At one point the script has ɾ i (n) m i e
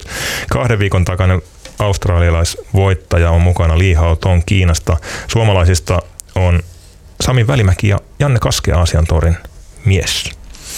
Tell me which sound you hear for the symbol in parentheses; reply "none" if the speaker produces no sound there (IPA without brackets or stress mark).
n